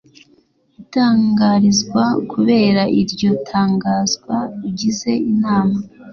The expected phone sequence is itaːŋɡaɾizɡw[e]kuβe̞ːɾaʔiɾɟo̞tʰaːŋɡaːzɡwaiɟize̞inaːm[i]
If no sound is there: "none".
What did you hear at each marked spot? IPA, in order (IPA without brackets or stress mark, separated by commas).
a, a